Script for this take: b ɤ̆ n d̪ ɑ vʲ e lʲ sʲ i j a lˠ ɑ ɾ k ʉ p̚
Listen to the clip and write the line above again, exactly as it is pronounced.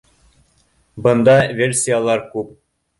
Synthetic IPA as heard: b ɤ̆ n d̪ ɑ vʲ e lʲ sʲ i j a lˠ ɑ ɾ k ʉ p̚